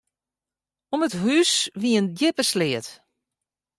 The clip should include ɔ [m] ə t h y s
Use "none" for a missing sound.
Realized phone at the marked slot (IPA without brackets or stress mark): m